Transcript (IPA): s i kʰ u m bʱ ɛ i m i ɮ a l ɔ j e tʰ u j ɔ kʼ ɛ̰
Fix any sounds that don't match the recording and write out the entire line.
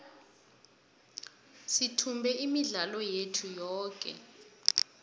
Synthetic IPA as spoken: s i tʰ u m bʱ ɛ i m i ɮ a l ɔ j e tʰ u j ɔː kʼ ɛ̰